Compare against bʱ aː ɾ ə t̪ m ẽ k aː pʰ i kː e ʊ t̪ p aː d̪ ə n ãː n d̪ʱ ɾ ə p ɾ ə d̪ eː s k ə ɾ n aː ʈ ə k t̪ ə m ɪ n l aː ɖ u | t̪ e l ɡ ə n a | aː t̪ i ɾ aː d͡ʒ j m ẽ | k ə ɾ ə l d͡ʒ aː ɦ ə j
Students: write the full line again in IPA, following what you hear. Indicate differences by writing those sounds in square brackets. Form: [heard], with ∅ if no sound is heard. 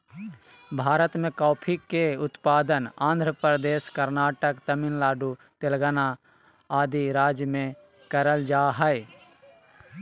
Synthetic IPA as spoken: bʱ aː ɾ ə t̪ m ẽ k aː pʰ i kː e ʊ t̪ p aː d̪ ə n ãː n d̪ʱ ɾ ə p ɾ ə d̪ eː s k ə ɾ n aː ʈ ə k t̪ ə m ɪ n l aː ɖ u | t̪ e l ɡ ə n a | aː [d̪] i ɾ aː d͡ʒ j m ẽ | k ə ɾ ə l d͡ʒ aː ɦ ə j

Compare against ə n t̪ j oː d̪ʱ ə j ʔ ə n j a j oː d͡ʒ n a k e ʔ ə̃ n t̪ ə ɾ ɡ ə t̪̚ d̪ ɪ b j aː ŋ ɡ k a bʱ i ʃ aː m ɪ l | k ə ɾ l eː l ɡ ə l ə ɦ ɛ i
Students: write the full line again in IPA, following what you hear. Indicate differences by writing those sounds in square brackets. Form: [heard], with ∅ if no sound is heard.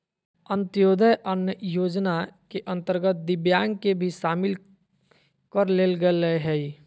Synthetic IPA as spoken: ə n t̪ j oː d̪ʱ ə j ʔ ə n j [ə] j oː d͡ʒ n a k e ʔ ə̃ n t̪ ə ɾ ɡ ə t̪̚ d̪ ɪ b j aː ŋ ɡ k [e] bʱ i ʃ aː m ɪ l | k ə ɾ l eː l ɡ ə l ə ɦ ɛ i

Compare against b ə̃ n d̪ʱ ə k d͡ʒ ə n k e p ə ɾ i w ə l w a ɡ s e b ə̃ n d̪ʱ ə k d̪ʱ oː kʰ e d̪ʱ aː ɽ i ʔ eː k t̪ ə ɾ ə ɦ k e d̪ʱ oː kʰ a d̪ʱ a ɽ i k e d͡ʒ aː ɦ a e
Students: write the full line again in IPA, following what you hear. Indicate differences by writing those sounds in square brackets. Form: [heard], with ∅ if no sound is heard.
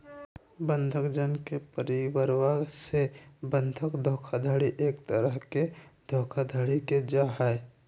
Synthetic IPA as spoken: b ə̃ n d̪ʱ ə k d͡ʒ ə n k e p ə ɾ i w ə [ɾ] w a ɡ s e b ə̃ n d̪ʱ ə k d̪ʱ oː kʰ [a] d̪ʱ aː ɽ i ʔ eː k t̪ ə ɾ ə ɦ k e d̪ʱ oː kʰ a d̪ʱ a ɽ i k e d͡ʒ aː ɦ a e

